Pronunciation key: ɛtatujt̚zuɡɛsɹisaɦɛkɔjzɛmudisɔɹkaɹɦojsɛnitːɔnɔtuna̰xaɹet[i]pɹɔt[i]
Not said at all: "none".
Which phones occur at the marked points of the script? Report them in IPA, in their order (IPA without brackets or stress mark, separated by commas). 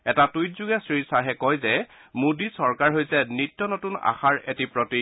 i, i